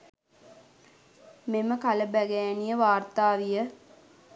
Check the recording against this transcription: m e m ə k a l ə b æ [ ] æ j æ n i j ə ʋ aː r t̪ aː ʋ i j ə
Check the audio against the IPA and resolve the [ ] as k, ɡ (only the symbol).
ɡ